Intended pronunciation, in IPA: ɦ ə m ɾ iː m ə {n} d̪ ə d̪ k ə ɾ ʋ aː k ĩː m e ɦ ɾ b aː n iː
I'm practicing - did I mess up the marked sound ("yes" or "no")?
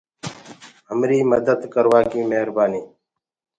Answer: yes